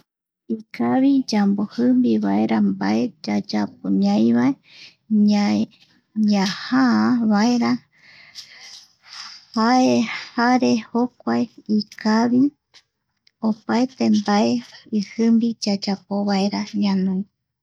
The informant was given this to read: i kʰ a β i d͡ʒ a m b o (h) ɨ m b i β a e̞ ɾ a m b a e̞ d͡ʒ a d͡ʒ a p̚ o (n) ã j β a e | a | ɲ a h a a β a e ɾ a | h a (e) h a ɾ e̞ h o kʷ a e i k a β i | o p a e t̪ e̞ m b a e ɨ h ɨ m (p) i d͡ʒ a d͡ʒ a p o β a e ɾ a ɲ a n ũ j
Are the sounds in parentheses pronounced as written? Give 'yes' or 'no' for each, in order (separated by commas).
yes, no, yes, no